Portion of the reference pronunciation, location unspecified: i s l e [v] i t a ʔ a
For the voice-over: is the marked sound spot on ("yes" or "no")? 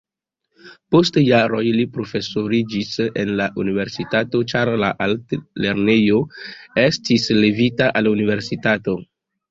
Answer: yes